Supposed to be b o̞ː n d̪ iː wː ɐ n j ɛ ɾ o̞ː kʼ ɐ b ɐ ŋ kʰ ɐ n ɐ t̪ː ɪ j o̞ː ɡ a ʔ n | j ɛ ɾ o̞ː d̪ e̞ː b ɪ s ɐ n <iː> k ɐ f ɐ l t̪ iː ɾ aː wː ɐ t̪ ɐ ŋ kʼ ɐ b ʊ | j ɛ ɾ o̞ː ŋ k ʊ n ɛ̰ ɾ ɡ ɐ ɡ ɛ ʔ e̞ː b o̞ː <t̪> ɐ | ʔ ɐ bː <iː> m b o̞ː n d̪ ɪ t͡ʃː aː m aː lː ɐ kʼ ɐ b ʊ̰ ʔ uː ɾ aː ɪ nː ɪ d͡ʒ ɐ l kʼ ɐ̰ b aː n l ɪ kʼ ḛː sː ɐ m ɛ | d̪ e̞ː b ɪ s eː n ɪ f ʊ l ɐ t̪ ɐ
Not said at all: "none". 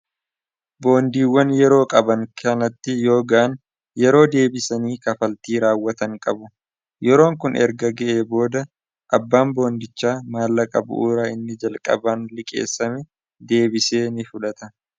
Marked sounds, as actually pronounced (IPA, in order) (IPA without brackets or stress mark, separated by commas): iː, d̪, aː